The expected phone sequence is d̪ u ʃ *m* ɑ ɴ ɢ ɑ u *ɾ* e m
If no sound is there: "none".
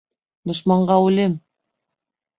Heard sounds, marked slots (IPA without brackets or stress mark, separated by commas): m, l